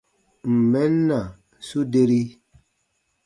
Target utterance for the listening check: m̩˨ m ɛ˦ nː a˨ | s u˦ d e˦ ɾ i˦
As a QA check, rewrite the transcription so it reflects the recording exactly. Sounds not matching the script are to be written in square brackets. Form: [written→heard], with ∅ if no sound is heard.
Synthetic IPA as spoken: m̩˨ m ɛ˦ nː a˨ | s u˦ d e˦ ɾ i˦